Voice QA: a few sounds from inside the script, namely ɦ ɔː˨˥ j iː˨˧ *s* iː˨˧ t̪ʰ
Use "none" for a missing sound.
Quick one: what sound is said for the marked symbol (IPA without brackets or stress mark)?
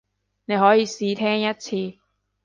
s